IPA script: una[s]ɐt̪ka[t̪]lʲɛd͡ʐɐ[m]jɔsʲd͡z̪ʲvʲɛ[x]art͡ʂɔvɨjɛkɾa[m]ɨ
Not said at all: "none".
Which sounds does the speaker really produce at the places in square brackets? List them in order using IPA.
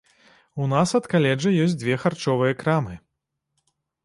s, none, none, x, m

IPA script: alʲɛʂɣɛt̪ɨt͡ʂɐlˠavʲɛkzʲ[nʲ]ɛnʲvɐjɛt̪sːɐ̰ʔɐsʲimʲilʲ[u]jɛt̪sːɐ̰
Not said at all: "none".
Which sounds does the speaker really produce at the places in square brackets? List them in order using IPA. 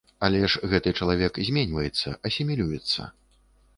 mʲ, u

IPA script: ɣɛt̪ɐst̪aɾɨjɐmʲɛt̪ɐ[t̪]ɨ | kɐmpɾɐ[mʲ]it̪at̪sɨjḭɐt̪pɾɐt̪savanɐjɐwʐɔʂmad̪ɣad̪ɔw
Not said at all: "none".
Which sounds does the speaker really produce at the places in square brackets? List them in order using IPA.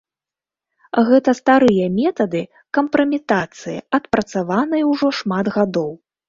d̪, mʲ

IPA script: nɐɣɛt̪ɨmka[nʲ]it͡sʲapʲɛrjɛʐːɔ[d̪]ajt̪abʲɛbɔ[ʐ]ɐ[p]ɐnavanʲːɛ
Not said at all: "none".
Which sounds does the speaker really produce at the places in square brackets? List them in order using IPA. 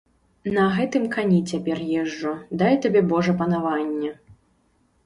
nʲ, d̪, ʐ, p

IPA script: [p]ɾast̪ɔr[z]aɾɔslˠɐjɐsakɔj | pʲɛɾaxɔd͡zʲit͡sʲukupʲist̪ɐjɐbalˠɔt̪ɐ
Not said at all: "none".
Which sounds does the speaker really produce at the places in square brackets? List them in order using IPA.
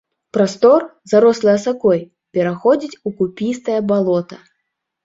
p, z

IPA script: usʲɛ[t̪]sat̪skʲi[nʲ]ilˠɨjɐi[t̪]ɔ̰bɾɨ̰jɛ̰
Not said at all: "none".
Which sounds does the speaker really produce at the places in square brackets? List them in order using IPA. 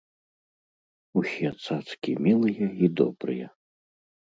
t̪, mʲ, d̪

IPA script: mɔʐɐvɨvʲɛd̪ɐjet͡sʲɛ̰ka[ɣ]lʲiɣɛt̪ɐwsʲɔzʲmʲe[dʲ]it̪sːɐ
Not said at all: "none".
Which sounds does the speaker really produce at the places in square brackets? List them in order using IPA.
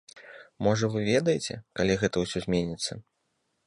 none, nʲ

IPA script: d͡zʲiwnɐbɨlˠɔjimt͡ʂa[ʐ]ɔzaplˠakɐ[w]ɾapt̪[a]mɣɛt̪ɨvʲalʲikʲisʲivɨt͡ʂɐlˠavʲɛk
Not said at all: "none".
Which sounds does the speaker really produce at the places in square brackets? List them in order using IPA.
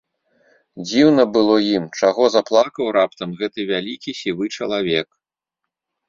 ɣ, w, ɐ

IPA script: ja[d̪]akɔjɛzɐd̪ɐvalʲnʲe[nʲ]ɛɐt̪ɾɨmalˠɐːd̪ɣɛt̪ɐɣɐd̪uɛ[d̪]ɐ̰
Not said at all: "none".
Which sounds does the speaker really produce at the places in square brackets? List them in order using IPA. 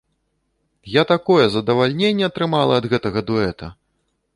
t̪, nʲː, t̪

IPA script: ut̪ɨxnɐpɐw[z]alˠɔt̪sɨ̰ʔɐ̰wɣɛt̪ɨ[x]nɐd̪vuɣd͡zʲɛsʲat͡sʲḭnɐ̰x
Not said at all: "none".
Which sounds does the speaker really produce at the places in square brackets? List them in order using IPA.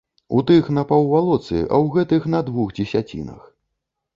v, x

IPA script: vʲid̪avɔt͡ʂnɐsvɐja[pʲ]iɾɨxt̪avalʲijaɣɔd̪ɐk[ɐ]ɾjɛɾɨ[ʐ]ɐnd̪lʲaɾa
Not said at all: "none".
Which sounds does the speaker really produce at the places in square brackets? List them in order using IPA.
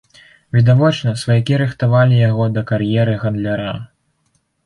kʲ, a, ɣ

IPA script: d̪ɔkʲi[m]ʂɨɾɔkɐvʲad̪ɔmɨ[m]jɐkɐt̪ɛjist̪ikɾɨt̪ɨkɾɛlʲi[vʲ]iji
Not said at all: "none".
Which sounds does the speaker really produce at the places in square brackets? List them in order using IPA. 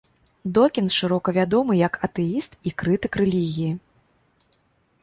n, none, ɣʲ

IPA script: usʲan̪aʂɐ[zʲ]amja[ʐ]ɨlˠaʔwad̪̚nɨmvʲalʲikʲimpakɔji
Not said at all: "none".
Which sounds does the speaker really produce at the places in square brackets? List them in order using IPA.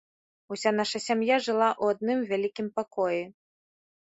sʲ, ʐ

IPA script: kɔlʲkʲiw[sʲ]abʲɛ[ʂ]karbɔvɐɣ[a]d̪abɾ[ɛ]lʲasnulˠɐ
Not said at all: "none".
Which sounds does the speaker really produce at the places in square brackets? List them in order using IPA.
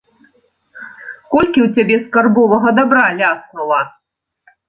t͡sʲ, s, ɐ, a

